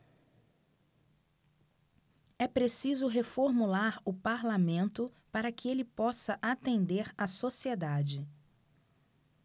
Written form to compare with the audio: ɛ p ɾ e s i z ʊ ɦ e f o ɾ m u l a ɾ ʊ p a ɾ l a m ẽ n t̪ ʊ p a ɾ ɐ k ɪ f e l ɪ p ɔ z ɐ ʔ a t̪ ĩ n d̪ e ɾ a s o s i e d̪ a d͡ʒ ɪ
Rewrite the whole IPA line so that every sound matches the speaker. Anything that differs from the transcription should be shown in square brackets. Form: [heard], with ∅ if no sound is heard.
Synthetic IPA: ɛ p ɾ e s i z ʊ ɦ e f o ɾ m u l a ɾ ʊ p a ɾ l a m ẽ n t̪ ʊ p a ɾ ɐ k ɪ [∅] e l ɪ p ɔ [s] ɐ ʔ a t̪ [ẽ] n d̪ e ɾ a s o s i e d̪ a d͡ʒ ɪ